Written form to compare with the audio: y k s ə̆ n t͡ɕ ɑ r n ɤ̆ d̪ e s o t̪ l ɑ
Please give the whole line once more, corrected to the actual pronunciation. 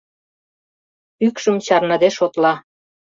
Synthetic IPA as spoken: y k ʃ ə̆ m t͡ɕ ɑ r n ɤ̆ d̪ e ʃ o t̪ l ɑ